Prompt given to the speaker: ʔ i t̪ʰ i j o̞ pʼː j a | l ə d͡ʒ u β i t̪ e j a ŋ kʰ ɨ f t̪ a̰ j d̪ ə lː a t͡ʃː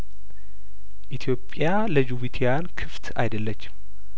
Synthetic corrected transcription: ʔ i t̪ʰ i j o̞ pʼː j a | l ə d͡ʒ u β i t̪ʰ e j a n kʰ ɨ f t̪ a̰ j d̪ ə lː ə t͡ʃː